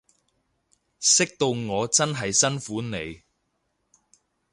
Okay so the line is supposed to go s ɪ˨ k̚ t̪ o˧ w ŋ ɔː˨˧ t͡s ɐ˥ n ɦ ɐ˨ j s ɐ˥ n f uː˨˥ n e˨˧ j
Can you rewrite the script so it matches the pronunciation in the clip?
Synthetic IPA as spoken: s ɪ˥ k̚ t̪ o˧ w ŋ ɔː˨˧ t͡s ɐ˥ n ɦ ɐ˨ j s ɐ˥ n f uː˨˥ n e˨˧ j